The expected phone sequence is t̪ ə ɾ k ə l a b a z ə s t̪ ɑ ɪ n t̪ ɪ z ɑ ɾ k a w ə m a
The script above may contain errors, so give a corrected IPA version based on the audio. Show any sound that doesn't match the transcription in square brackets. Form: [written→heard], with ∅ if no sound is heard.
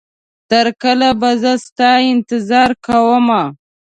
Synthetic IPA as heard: t̪ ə ɾ k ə l a b a z ə s t̪ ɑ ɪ n t̪ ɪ z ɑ ɾ k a w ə m a